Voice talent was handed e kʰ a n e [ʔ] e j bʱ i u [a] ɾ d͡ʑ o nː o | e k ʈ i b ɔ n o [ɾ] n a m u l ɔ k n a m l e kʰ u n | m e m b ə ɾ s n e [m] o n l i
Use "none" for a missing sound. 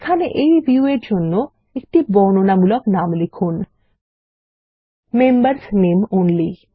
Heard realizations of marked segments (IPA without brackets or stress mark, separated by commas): ʔ, e, none, m